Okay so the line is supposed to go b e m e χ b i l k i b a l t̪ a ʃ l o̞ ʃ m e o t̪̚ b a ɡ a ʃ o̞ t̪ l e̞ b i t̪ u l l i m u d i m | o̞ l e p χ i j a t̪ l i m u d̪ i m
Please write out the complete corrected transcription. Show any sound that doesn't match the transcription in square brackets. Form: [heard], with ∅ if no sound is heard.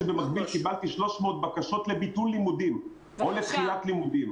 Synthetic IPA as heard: b e m [a] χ b i l k i b a l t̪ [i] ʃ l o̞ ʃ m e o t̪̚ b a [k] a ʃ o̞ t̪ l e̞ b i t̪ u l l i m u d i m | o̞ l e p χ i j a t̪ l i m u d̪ i m

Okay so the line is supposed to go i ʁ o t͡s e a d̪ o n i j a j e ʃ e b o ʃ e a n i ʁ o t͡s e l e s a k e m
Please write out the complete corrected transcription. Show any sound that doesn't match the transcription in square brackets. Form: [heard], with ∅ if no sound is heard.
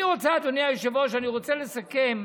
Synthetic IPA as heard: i ʁ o t͡s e a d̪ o n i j a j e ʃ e [v] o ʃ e a n i ʁ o t͡s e l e s a k e m

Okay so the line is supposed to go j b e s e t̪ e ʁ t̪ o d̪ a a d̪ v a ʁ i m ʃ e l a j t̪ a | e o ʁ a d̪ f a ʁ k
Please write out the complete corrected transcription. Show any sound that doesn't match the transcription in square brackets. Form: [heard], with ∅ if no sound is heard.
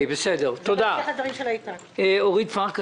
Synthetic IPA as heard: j b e s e [d̪] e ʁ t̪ o d̪ a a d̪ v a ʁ i m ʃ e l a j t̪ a | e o ʁ [i] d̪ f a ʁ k

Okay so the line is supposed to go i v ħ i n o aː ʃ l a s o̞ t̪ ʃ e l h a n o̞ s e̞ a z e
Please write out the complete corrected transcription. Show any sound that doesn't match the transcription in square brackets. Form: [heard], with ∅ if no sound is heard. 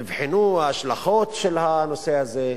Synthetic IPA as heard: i v ħ i n [u] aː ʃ l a [χ] o̞ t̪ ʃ e l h a n o̞ s e̞ a z e

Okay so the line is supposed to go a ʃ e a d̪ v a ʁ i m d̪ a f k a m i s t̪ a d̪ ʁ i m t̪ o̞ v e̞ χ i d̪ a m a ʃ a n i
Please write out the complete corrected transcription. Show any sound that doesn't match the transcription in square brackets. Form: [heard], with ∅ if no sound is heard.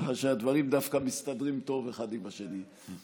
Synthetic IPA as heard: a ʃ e a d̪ v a ʁ i m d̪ a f k a m i s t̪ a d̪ ʁ i m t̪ o̞ v e̞ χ [a] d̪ [i] m a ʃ [e] n i

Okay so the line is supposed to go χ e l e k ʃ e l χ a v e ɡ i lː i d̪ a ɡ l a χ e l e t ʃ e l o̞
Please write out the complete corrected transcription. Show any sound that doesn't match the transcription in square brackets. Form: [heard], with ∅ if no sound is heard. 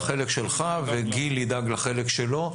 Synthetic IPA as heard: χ e l e k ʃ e l χ a v e ɡ i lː i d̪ a ɡ l a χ e l e [k] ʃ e l o̞

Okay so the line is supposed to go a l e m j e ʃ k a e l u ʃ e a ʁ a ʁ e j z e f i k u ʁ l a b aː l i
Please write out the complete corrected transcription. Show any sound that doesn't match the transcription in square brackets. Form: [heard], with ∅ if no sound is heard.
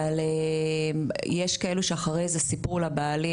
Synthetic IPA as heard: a l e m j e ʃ k a e l u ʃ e a [χ] a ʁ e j z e [s] i [p] u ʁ l a b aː l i

